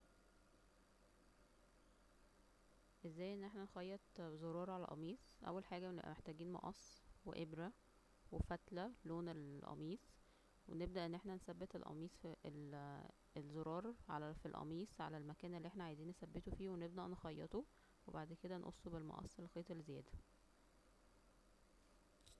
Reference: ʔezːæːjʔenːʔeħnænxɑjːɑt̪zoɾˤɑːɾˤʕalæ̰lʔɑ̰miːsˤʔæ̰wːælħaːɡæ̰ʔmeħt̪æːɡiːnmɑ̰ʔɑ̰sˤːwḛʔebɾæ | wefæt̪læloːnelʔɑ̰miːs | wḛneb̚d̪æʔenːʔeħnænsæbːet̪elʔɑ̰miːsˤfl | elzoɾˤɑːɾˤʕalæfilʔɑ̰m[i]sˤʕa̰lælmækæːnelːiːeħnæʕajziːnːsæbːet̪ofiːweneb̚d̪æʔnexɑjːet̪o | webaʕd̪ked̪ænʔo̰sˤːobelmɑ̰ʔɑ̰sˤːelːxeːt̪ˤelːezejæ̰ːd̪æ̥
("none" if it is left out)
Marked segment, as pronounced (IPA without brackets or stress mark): iː